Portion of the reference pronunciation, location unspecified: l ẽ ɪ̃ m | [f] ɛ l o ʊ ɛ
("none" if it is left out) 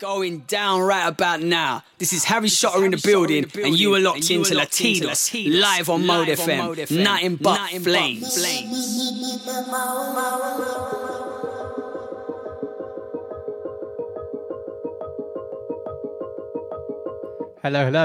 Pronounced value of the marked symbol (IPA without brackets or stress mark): h